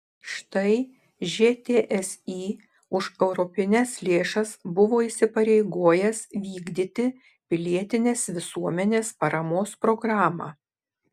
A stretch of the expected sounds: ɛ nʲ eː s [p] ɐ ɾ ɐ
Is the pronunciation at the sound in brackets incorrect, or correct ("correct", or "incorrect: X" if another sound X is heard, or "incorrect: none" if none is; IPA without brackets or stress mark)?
correct